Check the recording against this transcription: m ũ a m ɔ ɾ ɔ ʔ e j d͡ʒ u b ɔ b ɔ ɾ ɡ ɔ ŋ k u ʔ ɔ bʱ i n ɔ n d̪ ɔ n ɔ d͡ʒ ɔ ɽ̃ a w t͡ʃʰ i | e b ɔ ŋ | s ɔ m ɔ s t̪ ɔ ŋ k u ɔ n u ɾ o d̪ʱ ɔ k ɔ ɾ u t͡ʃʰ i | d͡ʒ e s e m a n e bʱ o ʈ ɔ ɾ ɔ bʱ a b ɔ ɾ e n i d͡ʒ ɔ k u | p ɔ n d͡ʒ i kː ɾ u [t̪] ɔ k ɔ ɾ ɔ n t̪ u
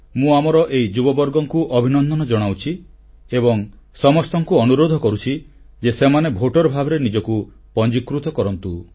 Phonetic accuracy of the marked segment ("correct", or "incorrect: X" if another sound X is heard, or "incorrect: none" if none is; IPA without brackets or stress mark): correct